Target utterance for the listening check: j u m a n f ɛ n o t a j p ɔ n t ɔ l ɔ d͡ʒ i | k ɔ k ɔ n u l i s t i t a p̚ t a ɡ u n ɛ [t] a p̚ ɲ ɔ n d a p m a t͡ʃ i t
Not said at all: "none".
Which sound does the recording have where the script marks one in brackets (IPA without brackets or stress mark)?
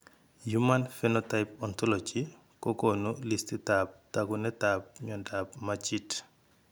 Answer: t